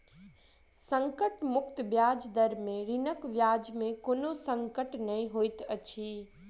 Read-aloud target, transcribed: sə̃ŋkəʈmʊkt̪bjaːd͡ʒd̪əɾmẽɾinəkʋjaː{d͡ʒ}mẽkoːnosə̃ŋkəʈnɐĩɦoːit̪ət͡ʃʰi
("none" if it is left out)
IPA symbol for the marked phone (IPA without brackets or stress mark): d͡ʒ